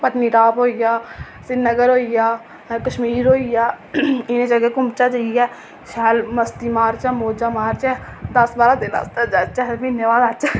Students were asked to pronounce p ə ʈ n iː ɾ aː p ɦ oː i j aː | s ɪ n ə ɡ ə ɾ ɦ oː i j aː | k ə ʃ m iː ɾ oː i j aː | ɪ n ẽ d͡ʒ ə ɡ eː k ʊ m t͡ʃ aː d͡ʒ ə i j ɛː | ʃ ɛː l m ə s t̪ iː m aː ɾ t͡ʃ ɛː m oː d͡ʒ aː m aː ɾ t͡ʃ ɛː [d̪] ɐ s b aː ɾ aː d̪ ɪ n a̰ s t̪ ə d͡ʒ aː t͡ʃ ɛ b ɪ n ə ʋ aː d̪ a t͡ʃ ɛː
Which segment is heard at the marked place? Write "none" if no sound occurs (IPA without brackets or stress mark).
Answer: d̪